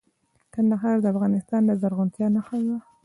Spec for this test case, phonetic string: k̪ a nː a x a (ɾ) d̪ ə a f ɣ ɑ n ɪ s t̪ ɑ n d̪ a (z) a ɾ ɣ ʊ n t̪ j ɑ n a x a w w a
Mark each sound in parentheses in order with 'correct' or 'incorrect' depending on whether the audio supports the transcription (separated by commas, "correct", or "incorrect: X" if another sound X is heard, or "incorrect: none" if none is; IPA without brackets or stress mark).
correct, correct